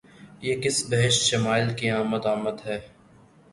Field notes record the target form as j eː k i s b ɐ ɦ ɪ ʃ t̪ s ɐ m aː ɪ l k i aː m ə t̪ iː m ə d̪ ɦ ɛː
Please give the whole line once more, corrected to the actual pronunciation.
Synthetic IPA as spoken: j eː k ɪ s b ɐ ɦ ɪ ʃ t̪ ʃ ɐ m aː ɪ l k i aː m ə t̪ aː m ə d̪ ɦ ɛː